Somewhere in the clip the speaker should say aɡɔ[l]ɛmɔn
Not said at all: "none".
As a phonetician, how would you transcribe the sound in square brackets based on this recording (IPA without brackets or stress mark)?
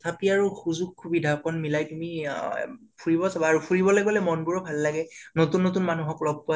l